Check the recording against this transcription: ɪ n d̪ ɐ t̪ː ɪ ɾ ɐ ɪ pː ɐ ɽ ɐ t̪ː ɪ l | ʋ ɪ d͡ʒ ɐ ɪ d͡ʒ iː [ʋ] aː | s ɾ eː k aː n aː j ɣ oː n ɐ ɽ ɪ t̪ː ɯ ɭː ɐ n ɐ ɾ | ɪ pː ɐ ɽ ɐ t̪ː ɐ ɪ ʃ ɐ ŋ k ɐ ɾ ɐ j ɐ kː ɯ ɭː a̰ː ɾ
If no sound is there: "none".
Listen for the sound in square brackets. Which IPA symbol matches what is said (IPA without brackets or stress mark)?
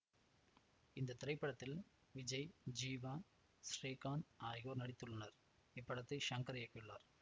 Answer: ʋ